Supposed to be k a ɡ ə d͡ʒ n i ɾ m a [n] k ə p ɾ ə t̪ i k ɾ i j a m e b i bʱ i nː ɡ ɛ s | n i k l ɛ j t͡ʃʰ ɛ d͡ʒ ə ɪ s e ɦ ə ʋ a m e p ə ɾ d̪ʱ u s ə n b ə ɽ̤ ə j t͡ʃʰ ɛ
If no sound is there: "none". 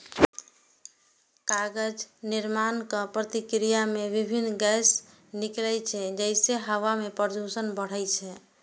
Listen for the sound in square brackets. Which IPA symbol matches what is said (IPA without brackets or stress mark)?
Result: n